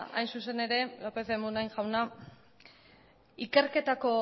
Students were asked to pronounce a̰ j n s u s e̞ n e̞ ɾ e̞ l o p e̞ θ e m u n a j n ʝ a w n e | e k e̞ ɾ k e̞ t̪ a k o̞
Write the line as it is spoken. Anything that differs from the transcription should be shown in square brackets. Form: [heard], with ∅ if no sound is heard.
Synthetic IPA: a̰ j n s u s e̞ n e̞ ɾ e̞ l o p e̞ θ e m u n a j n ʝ a w n [a] | [i] k e̞ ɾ k e̞ t̪ a k o̞